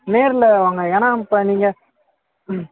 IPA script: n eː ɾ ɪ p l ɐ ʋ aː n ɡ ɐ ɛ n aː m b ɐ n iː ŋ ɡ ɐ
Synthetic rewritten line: n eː ɾ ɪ l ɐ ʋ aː ŋ ɡ ɐ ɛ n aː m p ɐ n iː ŋ ɡ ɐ